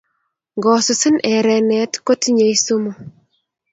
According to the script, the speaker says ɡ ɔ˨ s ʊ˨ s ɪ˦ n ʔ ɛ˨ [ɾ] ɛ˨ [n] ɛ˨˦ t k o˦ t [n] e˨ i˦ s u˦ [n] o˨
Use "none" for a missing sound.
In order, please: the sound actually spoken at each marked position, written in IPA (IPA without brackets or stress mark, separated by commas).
ɾ, n, ɲ, m